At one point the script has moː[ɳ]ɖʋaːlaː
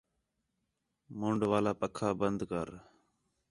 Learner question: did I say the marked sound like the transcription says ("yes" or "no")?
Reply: yes